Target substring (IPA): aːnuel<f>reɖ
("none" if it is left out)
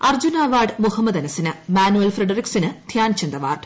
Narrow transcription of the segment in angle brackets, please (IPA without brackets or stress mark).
f